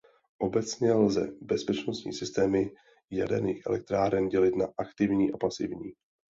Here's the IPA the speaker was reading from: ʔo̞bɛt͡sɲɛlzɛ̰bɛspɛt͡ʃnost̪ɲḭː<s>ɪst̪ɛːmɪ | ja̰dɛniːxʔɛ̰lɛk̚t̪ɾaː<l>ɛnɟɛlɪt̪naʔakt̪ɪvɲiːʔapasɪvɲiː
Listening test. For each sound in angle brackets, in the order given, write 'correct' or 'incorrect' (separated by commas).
correct, incorrect